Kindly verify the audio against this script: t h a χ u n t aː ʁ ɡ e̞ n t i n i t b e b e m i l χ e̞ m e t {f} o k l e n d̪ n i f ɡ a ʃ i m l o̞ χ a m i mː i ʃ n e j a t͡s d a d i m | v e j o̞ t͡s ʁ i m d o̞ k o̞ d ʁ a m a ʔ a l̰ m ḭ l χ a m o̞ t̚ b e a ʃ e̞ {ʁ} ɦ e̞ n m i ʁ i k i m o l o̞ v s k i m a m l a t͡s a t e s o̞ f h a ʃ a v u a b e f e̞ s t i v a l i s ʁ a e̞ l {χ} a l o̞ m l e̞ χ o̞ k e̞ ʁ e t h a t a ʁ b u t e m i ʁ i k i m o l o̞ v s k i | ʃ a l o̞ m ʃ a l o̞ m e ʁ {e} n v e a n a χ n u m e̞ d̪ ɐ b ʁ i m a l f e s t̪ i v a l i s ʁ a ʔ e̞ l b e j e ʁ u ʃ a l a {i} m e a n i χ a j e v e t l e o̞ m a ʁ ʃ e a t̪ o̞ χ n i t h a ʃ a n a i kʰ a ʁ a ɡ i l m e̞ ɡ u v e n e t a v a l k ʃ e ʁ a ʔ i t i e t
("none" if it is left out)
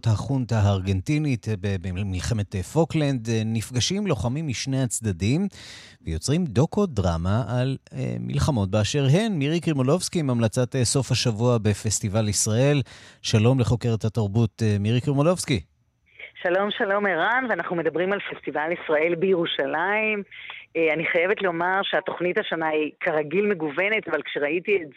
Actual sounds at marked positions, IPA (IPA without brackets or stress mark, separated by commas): f, ʁ, ʃ, a, i